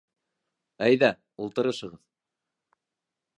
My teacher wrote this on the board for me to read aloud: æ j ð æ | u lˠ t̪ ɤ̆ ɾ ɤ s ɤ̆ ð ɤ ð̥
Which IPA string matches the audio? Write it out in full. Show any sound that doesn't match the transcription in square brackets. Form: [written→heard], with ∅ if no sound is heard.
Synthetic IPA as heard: æ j ð æ | u lˠ t̪ ɤ̆ ɾ ɤ [s→ʃ] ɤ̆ [ð→ʁ] ɤ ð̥